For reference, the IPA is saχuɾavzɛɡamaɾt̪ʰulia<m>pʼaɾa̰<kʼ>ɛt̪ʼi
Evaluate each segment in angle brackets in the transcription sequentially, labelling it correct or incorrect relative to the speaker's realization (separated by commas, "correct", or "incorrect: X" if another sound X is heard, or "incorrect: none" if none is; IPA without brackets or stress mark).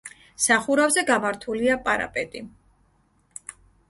incorrect: none, incorrect: pʼ